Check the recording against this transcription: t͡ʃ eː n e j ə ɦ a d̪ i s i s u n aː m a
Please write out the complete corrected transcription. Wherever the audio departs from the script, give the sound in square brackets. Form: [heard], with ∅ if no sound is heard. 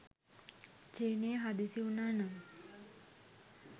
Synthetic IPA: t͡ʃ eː n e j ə ɦ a d̪ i s i [∅] u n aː [n] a